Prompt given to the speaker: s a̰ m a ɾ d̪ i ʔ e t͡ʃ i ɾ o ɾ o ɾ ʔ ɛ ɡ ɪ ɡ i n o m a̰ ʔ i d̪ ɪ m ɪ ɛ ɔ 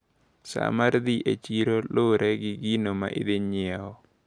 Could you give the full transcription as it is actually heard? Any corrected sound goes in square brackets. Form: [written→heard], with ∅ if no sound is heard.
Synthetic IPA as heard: s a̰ m a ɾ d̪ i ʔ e t͡ʃ i ɾ o [ɾ→l] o ɾ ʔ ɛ ɡ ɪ ɡ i n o m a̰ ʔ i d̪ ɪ [m→ɲ] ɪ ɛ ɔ